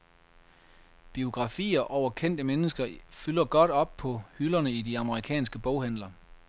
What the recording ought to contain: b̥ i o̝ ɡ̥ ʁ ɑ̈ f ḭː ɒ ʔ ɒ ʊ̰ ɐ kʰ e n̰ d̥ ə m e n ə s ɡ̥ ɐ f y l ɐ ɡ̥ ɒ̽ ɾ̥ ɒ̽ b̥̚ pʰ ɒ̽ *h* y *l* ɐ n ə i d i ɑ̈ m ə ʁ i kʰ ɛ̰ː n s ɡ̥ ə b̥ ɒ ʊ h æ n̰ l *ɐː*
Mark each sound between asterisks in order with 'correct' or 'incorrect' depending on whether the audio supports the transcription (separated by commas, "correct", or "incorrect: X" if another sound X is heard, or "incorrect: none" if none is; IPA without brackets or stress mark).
correct, correct, incorrect: ɐ